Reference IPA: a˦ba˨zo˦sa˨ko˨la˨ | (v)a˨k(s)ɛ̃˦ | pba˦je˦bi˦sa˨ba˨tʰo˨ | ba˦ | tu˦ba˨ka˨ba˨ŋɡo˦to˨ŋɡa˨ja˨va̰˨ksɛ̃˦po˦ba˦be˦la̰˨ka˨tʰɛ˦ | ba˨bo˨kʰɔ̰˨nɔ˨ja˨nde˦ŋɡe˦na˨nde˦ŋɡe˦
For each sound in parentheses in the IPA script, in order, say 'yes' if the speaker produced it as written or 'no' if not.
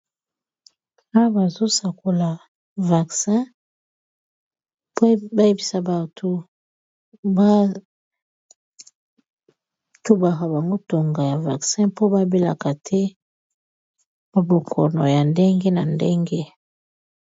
yes, yes

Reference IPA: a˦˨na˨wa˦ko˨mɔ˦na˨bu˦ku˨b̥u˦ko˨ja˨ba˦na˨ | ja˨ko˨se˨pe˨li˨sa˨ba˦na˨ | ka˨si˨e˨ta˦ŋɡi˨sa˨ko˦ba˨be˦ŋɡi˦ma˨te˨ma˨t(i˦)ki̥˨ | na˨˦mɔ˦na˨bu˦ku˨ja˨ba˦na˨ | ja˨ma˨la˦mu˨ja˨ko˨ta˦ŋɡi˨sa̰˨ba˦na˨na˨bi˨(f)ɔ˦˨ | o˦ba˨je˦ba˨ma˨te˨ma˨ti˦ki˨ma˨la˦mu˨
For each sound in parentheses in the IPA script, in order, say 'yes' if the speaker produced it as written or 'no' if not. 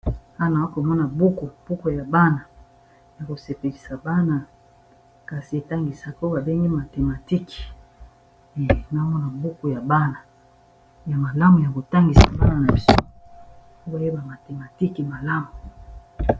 yes, no

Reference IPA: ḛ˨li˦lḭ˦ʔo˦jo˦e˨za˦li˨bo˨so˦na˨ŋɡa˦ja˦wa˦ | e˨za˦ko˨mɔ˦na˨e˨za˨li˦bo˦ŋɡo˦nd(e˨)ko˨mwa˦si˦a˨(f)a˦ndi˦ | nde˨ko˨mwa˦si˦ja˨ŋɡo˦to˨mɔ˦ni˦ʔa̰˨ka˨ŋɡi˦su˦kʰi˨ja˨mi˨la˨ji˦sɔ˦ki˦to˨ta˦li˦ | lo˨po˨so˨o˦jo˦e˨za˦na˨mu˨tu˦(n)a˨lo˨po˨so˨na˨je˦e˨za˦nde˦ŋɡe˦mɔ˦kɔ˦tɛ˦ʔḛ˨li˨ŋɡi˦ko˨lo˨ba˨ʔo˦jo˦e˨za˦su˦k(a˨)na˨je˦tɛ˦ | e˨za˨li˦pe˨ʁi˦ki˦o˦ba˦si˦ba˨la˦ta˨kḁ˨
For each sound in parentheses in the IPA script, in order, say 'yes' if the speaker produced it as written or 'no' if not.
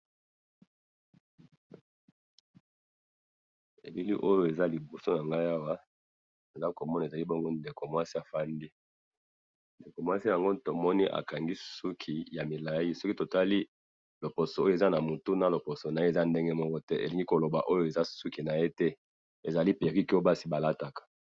yes, yes, yes, no

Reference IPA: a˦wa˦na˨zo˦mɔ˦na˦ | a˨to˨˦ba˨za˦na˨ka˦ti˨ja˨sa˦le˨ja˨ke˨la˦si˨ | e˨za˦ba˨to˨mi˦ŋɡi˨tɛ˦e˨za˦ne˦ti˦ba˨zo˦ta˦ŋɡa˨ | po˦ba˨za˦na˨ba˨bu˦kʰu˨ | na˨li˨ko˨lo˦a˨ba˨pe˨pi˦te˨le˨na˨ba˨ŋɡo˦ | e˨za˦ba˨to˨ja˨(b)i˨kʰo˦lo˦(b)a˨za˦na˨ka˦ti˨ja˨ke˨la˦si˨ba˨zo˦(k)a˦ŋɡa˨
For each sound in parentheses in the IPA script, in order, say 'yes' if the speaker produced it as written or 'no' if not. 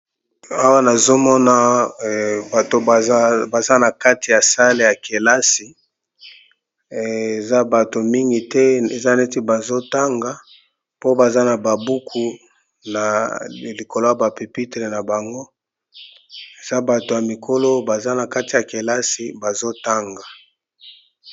no, yes, no

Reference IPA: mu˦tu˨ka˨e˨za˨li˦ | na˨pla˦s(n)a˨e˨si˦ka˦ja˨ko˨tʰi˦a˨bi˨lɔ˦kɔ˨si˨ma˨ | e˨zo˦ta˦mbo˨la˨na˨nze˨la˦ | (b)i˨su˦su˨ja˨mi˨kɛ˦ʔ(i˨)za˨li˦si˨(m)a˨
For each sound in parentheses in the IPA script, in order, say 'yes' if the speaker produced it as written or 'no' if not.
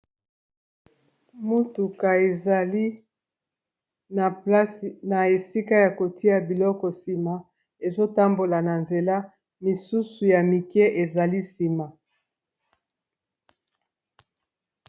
yes, no, no, yes

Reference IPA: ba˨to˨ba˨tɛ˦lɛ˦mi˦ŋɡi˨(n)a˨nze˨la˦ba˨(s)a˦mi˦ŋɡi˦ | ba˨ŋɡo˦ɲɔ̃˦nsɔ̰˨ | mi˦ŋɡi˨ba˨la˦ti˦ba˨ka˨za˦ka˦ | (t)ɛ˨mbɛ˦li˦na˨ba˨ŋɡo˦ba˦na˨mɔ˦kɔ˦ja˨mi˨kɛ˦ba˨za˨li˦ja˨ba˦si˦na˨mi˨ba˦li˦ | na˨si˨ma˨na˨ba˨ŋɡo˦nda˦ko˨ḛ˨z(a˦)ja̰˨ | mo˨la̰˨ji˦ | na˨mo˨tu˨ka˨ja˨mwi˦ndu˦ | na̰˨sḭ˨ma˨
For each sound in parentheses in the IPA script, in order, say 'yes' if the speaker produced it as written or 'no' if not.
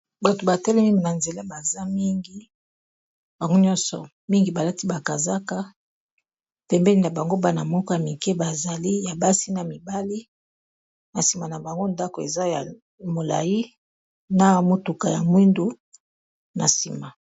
yes, no, no, yes

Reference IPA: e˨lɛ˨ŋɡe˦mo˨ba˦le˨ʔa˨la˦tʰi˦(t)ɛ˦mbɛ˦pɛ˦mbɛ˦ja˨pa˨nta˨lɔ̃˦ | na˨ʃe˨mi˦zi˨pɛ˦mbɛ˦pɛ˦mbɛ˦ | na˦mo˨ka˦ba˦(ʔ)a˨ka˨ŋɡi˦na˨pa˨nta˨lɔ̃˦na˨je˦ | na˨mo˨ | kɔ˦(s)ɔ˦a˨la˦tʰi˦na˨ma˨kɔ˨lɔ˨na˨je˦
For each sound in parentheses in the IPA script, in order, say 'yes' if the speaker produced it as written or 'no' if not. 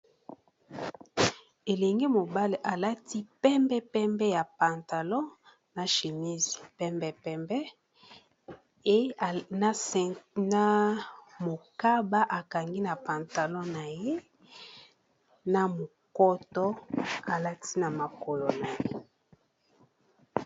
no, yes, no

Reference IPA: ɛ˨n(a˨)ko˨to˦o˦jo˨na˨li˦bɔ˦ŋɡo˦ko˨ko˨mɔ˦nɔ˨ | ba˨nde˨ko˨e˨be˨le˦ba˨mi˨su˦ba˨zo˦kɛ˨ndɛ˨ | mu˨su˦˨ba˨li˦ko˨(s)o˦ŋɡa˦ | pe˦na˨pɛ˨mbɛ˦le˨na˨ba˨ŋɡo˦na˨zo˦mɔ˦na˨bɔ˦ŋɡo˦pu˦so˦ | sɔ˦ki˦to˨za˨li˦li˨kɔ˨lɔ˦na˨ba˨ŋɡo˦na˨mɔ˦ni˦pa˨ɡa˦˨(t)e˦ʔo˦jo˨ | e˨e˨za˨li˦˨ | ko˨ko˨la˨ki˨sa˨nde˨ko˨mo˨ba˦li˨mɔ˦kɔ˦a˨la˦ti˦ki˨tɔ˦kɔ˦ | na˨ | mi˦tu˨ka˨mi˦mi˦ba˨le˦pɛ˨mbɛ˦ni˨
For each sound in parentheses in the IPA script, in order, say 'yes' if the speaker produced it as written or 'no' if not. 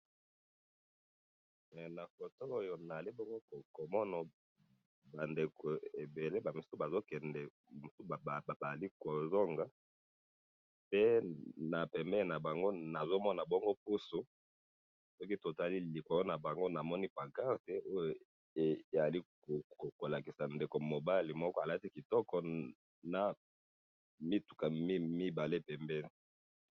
yes, no, yes

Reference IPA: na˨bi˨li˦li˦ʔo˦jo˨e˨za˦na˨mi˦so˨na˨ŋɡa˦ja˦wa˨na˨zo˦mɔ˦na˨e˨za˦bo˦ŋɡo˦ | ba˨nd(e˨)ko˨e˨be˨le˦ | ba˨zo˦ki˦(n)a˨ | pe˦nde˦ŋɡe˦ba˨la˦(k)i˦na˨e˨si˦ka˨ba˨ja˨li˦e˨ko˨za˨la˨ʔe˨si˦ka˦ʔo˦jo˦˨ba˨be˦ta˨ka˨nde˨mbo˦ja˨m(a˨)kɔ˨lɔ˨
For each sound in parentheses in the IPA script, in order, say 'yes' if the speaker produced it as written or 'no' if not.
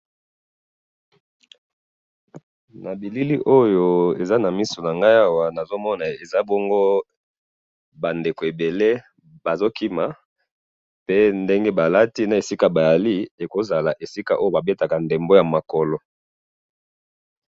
yes, no, no, yes

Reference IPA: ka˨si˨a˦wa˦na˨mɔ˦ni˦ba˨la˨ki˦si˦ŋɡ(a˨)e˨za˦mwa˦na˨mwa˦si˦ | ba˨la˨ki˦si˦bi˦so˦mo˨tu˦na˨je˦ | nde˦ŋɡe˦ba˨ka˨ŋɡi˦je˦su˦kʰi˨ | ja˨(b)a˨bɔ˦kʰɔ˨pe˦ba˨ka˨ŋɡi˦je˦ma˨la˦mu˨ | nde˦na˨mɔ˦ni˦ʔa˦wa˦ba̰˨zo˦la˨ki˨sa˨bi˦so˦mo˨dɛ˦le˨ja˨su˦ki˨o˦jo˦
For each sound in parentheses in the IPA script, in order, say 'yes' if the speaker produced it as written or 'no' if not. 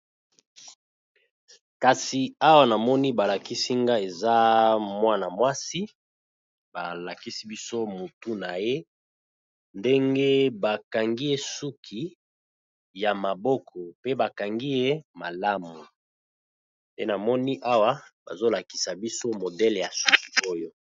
no, no

